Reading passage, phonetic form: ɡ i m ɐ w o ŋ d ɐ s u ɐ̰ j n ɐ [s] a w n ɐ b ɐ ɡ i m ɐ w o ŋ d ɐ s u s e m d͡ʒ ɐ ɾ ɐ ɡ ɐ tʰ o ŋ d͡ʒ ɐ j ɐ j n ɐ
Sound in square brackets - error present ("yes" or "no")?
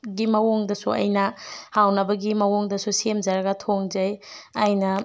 yes